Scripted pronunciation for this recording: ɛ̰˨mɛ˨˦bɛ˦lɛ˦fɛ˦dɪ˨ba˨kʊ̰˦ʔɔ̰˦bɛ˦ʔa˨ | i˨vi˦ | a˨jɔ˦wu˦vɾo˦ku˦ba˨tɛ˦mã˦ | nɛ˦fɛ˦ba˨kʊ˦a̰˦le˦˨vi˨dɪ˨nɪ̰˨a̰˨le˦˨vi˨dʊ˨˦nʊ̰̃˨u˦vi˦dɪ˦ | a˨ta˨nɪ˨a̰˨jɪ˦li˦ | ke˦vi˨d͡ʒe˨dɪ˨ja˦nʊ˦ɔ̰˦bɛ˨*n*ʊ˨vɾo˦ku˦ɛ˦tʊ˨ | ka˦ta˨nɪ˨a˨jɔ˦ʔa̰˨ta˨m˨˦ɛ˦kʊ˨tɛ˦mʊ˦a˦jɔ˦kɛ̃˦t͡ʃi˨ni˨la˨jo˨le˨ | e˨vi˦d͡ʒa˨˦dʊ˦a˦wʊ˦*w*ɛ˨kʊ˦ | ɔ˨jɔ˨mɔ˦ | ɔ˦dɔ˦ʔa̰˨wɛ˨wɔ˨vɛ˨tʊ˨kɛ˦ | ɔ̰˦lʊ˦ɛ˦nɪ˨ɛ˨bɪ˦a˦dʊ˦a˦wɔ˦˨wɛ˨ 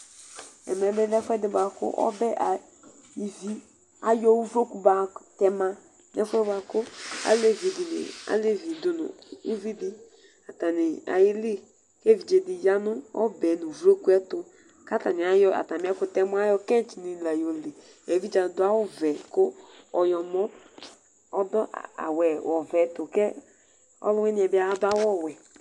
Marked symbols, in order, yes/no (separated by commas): yes, no